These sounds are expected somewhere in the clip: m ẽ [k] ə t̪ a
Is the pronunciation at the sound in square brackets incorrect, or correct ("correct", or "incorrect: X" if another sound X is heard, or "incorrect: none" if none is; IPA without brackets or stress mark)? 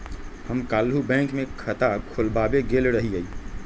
incorrect: kʰ